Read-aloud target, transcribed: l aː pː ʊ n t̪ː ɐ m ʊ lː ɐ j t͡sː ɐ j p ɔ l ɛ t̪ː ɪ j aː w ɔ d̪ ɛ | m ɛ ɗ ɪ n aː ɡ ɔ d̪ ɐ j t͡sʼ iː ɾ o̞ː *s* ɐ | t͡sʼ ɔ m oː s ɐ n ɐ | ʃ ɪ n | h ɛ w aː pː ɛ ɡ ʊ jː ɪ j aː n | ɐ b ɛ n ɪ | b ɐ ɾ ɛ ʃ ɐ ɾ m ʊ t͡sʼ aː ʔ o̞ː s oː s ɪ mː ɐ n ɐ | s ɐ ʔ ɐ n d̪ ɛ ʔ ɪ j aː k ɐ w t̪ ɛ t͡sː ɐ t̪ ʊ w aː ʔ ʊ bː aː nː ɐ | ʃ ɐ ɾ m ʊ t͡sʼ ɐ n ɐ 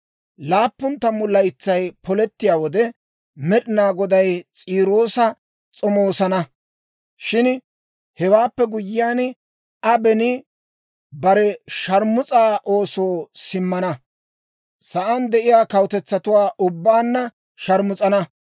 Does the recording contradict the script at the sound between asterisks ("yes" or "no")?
no